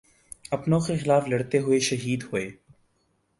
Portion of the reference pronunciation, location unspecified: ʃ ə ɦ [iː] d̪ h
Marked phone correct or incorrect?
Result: correct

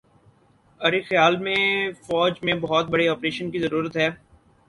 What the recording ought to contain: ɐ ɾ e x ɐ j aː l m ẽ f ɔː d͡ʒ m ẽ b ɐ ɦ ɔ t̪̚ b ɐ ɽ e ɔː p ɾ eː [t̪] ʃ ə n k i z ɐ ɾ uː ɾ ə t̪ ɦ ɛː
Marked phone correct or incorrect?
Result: incorrect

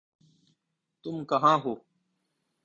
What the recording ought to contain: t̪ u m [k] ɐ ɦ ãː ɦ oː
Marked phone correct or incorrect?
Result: correct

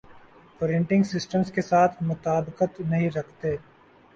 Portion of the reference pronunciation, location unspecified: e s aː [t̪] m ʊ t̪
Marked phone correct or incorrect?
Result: incorrect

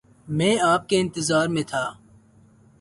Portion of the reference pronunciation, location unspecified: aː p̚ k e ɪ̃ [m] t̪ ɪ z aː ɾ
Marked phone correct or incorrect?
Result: incorrect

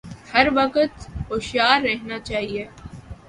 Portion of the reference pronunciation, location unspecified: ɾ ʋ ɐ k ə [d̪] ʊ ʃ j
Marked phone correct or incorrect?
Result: incorrect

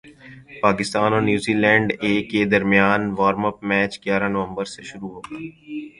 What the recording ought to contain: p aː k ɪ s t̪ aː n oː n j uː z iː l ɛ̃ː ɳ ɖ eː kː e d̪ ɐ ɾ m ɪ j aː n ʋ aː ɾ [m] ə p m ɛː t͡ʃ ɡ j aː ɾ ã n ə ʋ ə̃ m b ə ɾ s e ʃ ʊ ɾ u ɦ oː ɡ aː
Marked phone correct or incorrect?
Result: correct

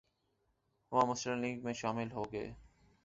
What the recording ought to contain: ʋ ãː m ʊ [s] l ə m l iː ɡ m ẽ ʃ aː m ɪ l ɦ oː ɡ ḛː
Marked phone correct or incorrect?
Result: correct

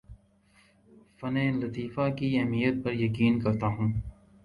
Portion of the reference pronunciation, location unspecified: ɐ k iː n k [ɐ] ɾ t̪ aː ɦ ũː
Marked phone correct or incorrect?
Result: correct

